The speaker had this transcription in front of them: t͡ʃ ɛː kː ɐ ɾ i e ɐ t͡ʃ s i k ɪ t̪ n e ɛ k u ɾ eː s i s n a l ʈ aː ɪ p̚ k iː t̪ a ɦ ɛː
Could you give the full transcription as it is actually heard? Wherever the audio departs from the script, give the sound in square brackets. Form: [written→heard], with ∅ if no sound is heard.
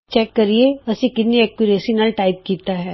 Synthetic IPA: t͡ʃ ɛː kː ɐ ɾ i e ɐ [t͡ʃ→∅] s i k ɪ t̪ n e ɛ k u ɾ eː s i [s→∅] n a l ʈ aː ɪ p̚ k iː t̪ a ɦ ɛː